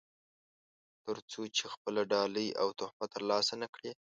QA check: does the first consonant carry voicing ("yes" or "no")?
no